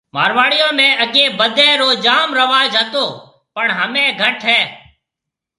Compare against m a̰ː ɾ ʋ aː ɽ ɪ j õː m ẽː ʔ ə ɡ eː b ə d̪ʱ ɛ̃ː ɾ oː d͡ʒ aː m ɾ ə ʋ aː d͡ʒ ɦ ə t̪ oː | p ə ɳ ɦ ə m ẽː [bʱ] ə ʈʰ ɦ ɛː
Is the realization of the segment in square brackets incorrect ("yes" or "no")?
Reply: yes